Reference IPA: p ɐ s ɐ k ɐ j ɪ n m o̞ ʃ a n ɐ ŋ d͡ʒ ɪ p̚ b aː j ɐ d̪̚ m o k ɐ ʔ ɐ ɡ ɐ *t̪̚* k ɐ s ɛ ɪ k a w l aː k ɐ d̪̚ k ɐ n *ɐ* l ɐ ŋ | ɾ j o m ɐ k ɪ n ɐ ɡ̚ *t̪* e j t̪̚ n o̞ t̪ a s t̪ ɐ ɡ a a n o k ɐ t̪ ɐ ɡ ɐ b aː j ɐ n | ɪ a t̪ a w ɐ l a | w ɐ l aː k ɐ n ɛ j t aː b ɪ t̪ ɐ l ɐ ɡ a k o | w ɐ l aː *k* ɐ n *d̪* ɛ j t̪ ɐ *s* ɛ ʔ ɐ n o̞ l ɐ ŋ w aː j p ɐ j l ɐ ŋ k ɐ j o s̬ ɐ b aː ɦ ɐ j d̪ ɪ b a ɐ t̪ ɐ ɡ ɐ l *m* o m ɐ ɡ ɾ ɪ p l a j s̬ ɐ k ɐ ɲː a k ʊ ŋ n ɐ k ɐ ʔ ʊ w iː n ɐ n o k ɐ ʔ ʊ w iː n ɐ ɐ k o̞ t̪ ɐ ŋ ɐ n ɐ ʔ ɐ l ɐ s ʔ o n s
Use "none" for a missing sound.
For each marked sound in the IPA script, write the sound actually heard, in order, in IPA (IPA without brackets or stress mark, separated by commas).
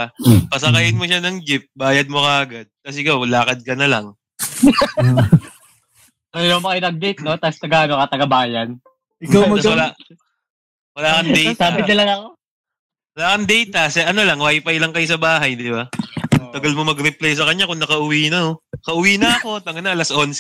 d̪̚, ɐ, d̪, k, d̪, s, m